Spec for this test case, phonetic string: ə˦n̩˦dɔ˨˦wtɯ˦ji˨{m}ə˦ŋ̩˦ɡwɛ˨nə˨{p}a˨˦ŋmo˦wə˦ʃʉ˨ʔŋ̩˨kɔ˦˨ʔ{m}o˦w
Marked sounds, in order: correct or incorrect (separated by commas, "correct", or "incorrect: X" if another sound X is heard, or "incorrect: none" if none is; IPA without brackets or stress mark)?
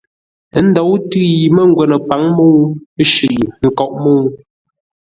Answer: correct, correct, correct